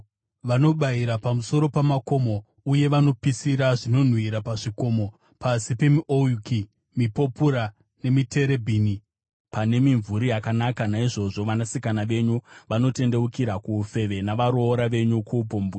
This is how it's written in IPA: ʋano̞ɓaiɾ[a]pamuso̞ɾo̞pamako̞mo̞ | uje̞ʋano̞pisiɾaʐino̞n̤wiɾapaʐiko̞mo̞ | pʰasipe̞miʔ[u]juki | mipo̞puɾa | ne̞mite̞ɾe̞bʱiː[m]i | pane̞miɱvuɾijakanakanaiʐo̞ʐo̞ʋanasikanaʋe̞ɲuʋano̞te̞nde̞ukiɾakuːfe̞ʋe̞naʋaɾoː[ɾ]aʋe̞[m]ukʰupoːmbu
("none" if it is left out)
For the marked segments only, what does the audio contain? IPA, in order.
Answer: a, o, n, ɾ, ɲ

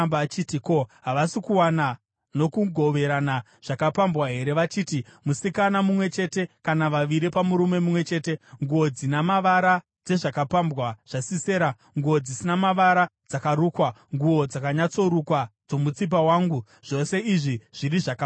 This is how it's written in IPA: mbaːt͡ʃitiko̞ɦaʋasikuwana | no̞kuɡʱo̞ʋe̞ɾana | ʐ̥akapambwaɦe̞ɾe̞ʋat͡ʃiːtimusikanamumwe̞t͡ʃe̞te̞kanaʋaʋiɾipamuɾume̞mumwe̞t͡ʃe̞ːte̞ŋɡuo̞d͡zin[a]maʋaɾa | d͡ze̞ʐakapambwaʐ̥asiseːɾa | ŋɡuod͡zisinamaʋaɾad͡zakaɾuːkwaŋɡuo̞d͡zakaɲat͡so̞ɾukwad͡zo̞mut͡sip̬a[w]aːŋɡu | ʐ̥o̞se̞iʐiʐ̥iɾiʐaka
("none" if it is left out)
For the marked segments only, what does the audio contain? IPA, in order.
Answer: a, w

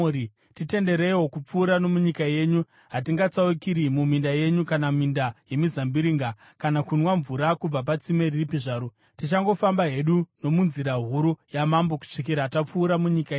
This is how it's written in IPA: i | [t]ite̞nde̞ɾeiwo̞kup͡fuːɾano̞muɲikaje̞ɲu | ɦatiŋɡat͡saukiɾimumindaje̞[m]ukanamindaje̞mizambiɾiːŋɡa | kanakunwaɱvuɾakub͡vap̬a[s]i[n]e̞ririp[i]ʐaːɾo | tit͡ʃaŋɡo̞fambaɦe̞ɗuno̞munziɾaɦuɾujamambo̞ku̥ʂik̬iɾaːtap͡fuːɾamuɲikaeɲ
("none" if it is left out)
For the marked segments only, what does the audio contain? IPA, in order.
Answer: t, ɲ, t͡s, m, i

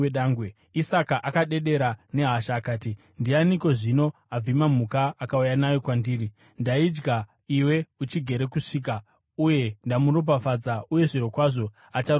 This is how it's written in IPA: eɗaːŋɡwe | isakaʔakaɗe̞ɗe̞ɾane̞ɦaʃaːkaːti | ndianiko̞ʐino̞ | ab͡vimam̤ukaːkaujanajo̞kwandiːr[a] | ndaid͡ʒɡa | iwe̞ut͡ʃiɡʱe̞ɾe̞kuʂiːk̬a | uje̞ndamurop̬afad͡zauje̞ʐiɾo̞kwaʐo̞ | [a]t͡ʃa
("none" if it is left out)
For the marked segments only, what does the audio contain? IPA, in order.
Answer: i, a

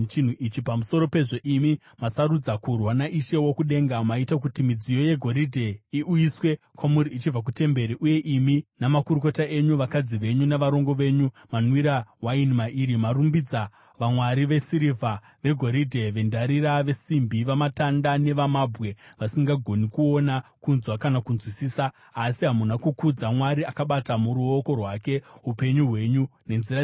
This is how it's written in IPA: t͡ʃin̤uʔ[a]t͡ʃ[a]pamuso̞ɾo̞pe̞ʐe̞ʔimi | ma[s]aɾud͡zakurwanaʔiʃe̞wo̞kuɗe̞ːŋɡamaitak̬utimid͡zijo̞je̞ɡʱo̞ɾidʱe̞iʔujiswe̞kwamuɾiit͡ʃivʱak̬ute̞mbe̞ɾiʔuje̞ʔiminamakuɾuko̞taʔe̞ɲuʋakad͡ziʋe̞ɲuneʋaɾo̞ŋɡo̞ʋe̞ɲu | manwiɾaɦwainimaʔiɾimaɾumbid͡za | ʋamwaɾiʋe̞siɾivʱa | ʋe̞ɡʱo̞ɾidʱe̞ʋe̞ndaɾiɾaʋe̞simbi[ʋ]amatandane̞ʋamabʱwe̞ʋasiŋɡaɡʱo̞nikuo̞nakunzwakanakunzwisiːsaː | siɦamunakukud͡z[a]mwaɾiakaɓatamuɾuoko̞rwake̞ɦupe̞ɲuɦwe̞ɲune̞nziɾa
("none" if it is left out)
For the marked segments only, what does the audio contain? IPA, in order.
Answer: i, i, s, ʋ, a

